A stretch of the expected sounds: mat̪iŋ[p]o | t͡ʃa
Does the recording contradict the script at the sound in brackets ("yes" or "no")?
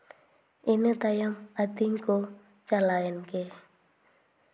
yes